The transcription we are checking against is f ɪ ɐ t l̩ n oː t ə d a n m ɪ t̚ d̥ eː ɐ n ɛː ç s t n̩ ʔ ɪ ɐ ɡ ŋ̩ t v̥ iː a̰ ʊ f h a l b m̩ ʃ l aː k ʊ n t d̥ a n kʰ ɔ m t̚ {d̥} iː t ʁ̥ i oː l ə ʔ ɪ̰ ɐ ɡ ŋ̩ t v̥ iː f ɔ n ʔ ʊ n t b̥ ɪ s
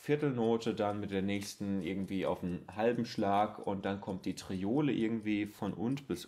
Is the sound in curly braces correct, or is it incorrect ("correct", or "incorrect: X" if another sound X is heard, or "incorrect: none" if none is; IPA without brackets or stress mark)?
correct